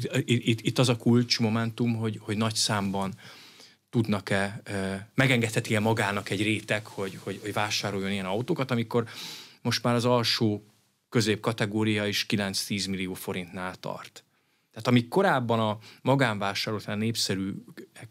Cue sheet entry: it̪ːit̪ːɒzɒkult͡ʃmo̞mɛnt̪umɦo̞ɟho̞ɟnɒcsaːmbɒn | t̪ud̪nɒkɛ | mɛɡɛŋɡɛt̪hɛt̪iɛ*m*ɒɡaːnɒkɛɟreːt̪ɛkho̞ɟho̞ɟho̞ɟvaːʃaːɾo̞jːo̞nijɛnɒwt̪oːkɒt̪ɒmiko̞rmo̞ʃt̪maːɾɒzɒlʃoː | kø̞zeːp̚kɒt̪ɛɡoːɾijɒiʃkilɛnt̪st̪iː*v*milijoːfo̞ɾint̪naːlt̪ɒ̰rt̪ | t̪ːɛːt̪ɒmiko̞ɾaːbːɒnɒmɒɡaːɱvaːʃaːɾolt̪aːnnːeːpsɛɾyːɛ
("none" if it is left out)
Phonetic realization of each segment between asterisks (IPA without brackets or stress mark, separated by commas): m, z